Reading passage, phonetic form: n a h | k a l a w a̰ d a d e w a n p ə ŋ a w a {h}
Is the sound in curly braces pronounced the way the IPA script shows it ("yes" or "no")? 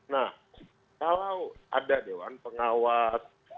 no